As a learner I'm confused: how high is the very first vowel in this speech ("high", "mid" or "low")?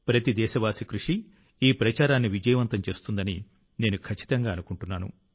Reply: low